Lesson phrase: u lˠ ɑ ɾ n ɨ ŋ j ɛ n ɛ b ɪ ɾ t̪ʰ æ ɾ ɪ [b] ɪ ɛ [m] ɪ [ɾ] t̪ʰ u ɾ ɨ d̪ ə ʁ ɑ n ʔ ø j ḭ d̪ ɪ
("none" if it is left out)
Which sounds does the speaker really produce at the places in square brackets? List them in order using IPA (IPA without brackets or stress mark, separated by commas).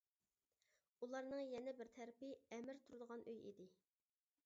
p, m, ɾ